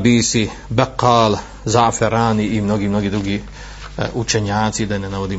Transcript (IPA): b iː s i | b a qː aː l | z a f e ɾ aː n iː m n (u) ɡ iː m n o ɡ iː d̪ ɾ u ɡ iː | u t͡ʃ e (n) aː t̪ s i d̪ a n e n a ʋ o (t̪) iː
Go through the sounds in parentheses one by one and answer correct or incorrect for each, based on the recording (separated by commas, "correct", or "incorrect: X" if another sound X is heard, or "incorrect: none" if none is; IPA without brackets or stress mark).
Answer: incorrect: o, incorrect: ɲ, incorrect: d̪